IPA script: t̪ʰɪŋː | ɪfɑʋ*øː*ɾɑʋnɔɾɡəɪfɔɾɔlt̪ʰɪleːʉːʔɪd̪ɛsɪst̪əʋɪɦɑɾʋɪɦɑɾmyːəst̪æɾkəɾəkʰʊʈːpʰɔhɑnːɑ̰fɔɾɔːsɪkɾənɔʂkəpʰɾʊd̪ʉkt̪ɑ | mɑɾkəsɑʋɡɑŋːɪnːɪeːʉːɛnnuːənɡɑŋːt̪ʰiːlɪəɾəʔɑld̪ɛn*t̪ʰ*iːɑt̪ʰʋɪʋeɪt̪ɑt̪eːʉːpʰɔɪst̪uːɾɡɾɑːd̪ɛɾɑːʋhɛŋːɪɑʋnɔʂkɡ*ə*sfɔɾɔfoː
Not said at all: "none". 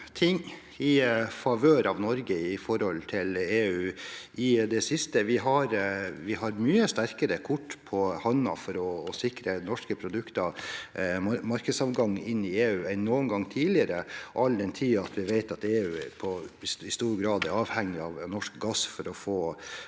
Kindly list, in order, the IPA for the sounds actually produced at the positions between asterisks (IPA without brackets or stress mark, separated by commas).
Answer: øː, t̪ʰ, ɑ